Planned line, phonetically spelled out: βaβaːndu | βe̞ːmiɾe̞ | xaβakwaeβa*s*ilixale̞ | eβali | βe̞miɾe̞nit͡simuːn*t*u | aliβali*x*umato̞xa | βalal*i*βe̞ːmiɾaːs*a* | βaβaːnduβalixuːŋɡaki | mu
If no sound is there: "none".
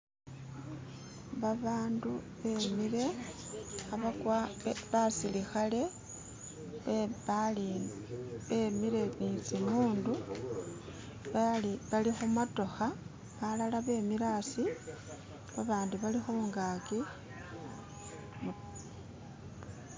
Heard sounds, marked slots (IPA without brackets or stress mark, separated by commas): s, d, x, a, i